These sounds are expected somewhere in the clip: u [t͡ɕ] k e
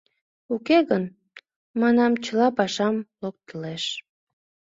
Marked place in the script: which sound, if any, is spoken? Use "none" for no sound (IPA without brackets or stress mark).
none